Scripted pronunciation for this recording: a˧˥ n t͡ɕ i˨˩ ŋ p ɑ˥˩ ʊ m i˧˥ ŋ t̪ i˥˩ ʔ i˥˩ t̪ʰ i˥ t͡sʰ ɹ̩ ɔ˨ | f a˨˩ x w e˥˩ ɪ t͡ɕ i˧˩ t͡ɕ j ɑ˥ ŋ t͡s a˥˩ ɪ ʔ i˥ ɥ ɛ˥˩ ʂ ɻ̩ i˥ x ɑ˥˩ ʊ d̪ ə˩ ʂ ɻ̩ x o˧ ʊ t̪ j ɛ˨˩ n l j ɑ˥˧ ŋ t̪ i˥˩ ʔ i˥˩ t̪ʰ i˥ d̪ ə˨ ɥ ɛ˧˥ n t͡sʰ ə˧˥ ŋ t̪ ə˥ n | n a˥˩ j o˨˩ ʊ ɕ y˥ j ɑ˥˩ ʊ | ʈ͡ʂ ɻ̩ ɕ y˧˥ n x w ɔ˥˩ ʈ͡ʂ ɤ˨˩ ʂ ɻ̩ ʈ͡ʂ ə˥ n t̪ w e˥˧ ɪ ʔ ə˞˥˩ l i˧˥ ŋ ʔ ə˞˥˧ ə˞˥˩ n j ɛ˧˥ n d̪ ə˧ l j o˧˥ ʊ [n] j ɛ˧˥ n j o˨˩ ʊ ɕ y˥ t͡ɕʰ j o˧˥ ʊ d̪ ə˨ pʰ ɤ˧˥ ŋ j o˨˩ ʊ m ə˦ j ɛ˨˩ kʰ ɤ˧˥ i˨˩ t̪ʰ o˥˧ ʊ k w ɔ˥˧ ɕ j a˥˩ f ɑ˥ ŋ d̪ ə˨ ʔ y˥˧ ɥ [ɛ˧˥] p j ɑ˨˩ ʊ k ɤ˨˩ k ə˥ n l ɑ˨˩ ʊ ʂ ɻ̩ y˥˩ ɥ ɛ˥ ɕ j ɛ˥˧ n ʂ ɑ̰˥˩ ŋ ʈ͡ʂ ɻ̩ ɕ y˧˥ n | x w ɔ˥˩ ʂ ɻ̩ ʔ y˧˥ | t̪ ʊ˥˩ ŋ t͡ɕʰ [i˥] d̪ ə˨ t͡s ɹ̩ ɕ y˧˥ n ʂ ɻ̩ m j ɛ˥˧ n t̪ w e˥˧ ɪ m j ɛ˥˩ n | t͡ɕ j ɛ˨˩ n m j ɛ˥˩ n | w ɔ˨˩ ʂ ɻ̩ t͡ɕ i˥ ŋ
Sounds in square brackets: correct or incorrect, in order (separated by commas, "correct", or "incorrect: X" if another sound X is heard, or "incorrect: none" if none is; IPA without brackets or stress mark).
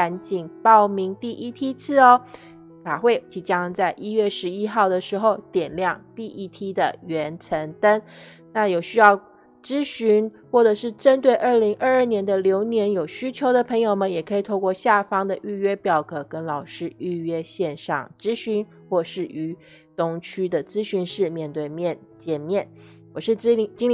correct, incorrect: ɛ˥, incorrect: y˥